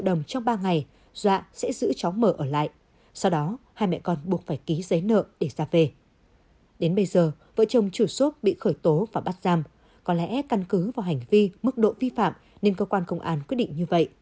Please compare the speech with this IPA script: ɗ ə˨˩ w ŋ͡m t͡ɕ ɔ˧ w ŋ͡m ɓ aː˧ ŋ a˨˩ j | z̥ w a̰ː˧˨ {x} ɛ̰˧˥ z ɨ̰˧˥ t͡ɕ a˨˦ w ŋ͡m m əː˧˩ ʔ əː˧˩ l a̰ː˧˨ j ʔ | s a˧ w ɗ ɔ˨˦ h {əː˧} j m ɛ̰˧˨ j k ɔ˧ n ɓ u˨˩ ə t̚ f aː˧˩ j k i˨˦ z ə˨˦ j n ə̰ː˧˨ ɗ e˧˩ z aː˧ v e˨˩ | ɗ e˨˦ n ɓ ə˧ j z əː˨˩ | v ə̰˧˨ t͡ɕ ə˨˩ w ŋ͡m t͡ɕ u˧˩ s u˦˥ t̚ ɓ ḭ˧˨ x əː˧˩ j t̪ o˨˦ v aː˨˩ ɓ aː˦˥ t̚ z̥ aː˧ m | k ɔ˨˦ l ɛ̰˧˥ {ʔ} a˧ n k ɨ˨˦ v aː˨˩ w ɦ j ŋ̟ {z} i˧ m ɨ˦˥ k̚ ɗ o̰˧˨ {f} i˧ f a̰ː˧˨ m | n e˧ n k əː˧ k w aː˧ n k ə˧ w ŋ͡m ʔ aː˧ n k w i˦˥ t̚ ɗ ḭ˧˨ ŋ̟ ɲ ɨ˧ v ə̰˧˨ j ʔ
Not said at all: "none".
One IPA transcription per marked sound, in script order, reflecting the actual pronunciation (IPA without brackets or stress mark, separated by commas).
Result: s, aː˧, k, v, v